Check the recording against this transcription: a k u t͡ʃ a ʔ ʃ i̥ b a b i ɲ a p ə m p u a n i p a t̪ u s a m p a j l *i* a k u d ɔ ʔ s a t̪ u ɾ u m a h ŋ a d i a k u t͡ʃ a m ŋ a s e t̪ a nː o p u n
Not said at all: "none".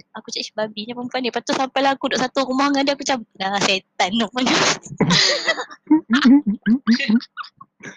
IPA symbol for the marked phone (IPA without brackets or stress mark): a